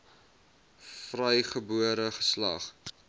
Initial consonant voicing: voiceless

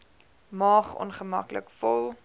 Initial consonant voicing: voiced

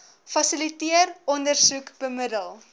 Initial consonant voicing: voiceless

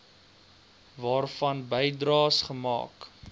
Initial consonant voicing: voiced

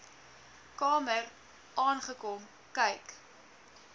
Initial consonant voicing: voiceless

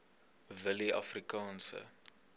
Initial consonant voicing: voiced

